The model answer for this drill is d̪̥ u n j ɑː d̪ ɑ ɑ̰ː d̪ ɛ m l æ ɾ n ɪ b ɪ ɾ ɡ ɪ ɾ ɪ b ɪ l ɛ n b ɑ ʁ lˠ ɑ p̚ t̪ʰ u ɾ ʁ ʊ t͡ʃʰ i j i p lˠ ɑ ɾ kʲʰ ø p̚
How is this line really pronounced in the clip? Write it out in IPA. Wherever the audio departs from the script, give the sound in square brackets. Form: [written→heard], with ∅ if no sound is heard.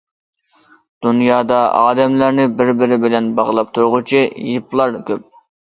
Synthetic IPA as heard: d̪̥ u n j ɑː d̪ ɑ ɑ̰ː d̪ ɛ m l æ ɾ n ɪ b ɪ ɾ [ɡ→b] ɪ ɾ ɪ b ɪ l ɛ n b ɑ ʁ lˠ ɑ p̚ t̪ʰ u ɾ ʁ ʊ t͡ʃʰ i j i p lˠ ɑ ɾ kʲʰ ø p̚